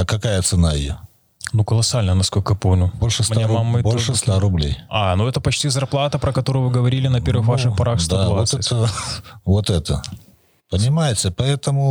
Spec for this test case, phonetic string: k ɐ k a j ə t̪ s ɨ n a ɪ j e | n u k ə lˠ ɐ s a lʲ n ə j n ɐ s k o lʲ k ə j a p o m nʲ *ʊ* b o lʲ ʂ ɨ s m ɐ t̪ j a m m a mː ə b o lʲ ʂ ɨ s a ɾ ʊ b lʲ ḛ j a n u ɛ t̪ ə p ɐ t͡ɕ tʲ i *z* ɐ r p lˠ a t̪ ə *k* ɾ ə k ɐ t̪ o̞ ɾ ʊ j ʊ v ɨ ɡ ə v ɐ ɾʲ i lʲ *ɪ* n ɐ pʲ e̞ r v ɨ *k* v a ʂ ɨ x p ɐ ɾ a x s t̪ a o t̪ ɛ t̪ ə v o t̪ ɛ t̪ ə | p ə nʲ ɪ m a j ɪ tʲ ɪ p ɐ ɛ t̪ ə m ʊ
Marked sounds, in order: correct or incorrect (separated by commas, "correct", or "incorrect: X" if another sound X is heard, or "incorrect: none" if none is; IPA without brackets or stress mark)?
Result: correct, correct, incorrect: p, correct, incorrect: x